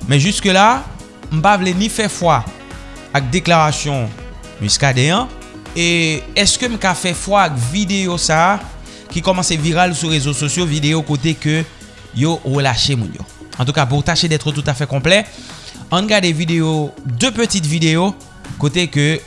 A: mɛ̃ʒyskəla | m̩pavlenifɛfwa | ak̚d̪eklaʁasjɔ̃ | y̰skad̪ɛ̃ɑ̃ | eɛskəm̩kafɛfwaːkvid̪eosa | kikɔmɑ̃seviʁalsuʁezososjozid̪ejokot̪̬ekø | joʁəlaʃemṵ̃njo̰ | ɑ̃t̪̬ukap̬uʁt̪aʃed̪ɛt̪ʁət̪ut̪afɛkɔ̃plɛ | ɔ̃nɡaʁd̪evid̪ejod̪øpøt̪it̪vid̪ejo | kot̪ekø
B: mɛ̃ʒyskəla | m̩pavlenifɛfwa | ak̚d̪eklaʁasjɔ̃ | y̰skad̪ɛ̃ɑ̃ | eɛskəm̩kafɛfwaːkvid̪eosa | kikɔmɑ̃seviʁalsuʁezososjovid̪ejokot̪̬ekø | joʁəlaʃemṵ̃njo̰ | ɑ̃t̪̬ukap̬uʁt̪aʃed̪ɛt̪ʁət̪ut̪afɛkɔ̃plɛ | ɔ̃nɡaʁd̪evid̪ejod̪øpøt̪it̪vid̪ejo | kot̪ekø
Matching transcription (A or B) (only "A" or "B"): B